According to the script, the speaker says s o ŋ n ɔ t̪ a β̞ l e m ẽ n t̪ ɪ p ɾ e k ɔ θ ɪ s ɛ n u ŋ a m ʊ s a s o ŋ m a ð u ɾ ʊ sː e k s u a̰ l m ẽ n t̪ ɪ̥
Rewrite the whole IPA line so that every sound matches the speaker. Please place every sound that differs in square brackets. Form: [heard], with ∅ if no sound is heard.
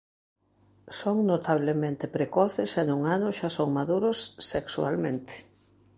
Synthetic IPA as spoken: s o ŋ n [o] t̪ a β̞ l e m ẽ n t̪ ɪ p ɾ e k ɔ θ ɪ s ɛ n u ŋ a [n] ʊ [ʃ] a s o ŋ m a ð u ɾ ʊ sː e k s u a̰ l m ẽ n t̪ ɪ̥